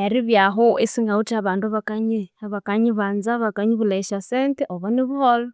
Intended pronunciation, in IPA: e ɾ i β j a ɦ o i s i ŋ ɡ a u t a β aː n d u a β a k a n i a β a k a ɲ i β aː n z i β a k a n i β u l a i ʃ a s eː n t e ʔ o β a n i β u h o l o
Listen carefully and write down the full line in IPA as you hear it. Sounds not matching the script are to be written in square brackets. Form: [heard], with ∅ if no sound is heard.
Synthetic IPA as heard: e ɾ i β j a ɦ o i s i ŋ ɡ a u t a β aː n d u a β a k a [ɲ] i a β a k a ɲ i β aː n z [a] β a k a [ɲ] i β u l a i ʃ a s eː n t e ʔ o β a n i β u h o l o